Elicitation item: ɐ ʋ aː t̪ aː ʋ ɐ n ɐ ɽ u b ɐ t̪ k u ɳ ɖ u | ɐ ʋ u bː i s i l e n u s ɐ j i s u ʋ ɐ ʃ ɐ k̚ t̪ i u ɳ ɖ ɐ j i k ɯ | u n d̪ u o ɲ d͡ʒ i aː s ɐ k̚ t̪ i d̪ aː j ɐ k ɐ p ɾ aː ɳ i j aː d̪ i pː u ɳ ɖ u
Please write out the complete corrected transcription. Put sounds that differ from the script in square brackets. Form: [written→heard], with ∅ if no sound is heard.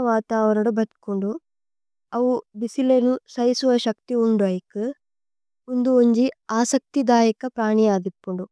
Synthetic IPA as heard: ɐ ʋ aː t̪ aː ʋ ɐ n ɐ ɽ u b ɐ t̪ k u ɳ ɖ u | ɐ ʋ u [bː→b] i s i l e n u s ɐ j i s u ʋ ɐ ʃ ɐ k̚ t̪ i u ɳ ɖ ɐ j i k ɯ | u n d̪ u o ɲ d͡ʒ i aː s ɐ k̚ t̪ i d̪ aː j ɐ k ɐ p ɾ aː ɳ i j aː d̪ i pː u ɳ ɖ u